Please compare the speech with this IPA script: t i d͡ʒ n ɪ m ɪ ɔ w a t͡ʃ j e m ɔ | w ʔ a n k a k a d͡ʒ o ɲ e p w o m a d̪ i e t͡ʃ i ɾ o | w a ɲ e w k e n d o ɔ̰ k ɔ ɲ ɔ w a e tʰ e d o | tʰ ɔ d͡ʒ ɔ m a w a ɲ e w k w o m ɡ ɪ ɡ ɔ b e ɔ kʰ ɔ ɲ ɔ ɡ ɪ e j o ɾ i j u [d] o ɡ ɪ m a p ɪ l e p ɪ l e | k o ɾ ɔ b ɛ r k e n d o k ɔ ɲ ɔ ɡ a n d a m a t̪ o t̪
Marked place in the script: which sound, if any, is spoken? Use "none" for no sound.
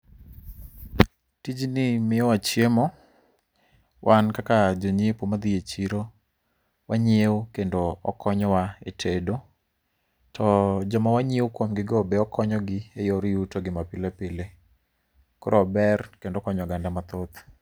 t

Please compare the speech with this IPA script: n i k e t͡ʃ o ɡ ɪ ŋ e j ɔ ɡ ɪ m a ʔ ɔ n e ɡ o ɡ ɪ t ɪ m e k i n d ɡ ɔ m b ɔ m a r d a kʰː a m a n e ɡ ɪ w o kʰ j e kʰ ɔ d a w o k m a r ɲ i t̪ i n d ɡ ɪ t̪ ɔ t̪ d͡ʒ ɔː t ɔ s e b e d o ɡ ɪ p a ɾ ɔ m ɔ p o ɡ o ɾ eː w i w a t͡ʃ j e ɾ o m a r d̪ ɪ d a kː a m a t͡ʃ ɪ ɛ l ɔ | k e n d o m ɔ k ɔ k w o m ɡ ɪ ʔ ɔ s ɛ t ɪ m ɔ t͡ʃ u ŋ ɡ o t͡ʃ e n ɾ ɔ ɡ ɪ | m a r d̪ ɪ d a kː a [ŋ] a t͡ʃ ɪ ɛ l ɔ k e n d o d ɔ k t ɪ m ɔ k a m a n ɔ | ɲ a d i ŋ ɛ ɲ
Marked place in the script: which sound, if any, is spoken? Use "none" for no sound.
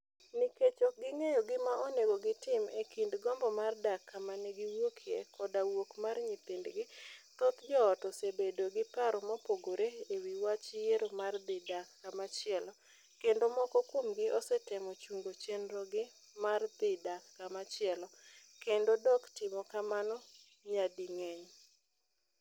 m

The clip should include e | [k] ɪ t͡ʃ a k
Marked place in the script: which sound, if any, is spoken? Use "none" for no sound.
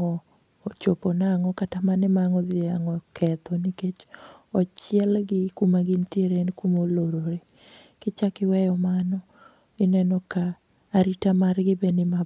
k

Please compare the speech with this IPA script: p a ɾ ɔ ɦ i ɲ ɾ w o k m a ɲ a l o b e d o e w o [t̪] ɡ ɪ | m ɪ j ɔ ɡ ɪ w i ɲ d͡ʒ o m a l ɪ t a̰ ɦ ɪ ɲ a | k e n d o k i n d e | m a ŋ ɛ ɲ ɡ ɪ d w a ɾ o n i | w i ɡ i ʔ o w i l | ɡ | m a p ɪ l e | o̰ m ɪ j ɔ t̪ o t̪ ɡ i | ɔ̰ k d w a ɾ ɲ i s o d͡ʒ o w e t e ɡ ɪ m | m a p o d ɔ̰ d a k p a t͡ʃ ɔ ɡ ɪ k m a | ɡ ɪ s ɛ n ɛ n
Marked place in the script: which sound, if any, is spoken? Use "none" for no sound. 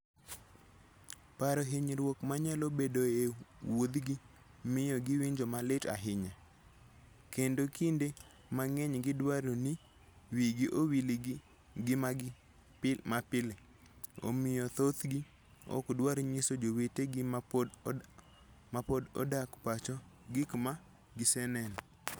d̪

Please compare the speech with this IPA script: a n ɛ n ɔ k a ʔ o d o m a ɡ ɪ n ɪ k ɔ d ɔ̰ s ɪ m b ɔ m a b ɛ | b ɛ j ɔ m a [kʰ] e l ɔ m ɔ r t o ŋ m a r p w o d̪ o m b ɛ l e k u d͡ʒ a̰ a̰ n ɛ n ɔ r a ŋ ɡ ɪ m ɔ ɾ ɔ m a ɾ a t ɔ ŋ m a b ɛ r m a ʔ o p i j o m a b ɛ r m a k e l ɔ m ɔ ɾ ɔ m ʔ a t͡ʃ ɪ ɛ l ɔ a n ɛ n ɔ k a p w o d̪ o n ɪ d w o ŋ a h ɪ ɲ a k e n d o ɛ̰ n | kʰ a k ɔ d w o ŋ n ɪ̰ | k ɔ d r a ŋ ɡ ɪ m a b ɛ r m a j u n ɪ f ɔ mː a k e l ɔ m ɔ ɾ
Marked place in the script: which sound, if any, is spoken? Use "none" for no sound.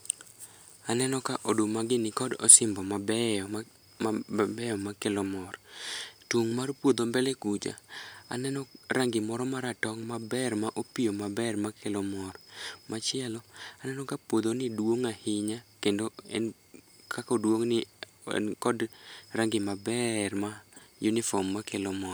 k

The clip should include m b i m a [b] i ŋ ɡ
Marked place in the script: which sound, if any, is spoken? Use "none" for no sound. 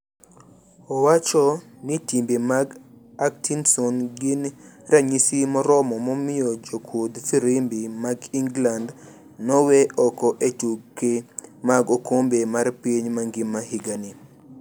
ɡ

